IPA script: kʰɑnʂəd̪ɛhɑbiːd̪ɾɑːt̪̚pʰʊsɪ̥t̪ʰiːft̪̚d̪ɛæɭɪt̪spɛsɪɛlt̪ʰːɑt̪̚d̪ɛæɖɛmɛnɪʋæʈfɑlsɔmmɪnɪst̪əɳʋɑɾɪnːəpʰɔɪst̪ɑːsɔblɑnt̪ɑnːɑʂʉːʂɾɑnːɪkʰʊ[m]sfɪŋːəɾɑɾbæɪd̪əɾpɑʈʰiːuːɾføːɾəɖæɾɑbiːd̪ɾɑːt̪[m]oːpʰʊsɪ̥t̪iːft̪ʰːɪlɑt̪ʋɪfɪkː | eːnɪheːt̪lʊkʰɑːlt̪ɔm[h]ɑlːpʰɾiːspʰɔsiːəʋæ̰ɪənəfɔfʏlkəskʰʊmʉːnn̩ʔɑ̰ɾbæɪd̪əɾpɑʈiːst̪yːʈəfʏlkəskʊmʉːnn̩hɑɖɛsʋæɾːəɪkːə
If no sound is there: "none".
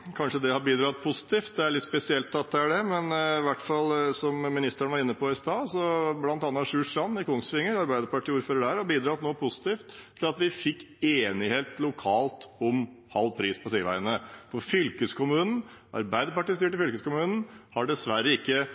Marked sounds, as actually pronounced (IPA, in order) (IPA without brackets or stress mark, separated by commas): ŋ, n, h